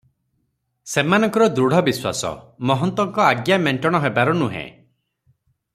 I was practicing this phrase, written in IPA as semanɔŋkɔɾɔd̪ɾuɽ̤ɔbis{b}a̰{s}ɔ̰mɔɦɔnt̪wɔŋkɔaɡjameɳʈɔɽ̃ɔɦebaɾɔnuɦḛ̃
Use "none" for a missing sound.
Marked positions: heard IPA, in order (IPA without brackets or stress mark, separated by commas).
w, s